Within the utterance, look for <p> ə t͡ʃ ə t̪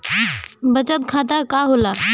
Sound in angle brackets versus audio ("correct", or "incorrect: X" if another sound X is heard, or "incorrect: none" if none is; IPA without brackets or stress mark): incorrect: b